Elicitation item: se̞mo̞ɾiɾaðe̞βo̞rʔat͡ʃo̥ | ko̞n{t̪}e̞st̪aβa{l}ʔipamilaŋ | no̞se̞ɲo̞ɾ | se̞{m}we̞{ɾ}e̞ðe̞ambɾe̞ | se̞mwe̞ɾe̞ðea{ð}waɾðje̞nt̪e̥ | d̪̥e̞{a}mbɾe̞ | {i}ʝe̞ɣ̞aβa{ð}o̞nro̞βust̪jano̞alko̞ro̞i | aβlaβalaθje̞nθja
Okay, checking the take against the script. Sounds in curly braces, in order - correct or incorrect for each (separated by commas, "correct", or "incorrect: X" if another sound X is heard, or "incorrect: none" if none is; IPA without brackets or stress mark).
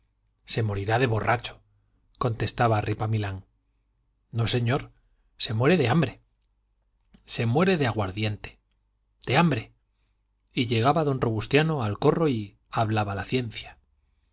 correct, incorrect: r, correct, correct, incorrect: ɣ, correct, correct, correct